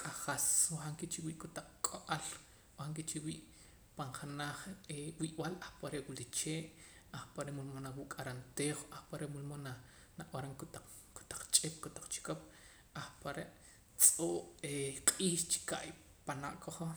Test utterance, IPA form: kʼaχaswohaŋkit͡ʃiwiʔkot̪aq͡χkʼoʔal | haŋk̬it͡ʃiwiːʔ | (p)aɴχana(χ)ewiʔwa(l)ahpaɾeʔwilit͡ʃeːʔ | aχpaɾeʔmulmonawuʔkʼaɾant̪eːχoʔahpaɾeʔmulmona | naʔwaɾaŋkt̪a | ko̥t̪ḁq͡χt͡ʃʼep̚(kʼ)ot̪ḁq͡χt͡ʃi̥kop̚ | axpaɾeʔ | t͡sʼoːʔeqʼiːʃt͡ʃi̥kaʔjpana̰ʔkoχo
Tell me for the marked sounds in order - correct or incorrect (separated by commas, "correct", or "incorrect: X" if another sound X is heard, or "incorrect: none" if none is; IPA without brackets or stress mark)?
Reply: correct, correct, correct, incorrect: k